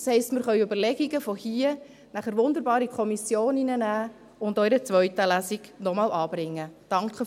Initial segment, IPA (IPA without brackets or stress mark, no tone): s